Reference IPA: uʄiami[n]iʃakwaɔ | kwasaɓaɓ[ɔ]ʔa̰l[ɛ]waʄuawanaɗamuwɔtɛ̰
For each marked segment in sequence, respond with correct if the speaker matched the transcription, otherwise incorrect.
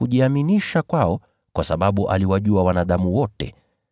correct, incorrect: u, incorrect: i

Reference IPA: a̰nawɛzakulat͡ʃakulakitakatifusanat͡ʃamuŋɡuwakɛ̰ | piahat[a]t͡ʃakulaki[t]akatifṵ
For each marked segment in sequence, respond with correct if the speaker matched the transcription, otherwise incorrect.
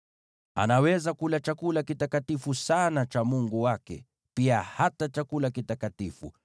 correct, correct

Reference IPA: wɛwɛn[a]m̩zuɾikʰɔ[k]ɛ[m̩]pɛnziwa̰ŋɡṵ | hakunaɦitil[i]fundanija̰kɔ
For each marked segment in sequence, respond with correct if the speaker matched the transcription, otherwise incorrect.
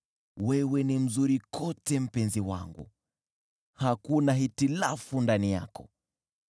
incorrect: i, incorrect: t, correct, incorrect: a

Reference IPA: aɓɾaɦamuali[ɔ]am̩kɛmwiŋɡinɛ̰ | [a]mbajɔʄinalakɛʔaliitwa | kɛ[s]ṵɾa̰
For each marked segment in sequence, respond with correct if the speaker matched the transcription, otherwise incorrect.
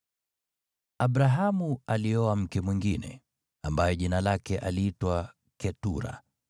correct, correct, incorrect: t

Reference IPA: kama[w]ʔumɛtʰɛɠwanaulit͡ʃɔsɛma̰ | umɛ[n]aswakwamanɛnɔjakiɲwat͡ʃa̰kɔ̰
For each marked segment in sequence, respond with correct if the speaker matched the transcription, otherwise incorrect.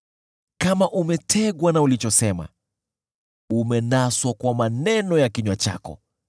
incorrect: none, correct

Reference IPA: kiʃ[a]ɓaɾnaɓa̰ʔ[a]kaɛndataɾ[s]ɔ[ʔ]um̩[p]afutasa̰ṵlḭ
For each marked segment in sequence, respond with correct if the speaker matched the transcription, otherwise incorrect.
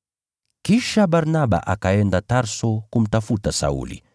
correct, correct, correct, incorrect: k, incorrect: t

